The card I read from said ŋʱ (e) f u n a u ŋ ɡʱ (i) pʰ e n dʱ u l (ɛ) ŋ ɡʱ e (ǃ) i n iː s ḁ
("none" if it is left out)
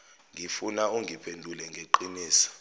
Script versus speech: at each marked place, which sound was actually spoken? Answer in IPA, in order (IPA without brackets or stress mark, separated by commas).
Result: i, i, ɛ, ǃ